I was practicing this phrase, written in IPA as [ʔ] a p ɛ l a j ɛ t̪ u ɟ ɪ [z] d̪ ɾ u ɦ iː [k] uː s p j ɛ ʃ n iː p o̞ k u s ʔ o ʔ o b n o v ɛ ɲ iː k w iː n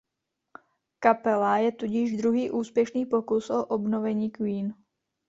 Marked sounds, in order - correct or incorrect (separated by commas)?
incorrect, incorrect, incorrect